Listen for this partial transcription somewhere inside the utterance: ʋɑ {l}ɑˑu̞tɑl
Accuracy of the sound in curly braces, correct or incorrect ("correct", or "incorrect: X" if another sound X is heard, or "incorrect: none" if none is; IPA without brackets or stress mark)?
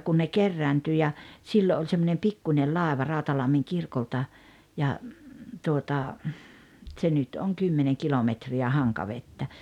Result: incorrect: r